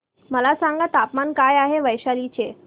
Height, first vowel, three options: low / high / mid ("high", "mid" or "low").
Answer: mid